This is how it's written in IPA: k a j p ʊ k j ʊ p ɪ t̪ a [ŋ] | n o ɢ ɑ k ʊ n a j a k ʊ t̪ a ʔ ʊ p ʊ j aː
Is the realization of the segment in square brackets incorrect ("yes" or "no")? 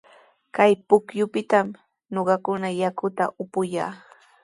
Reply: yes